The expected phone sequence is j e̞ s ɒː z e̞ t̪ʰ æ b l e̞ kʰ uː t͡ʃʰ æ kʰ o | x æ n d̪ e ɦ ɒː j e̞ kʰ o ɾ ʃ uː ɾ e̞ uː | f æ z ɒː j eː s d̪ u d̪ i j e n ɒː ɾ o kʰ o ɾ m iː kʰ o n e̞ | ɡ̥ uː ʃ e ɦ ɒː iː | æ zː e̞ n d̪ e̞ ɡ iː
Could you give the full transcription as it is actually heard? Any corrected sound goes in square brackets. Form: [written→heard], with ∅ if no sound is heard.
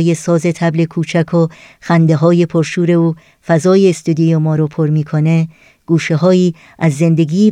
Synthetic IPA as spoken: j e̞ s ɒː z e̞ t̪ʰ æ b l e̞ kʰ uː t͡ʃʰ æ kʰ o | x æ n d̪ e ɦ ɒː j e̞ [kʰ→pʰ] o ɾ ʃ uː ɾ e̞ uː | f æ z ɒː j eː s [d̪→t̪] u d̪ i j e [n→m] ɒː ɾ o [kʰ→pʰ] o ɾ m iː kʰ o n e̞ | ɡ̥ uː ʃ e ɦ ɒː iː | æ zː e̞ n d̪ e̞ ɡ iː